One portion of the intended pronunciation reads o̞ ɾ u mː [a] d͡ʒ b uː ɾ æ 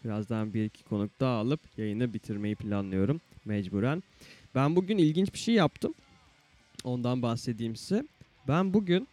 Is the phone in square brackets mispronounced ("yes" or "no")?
yes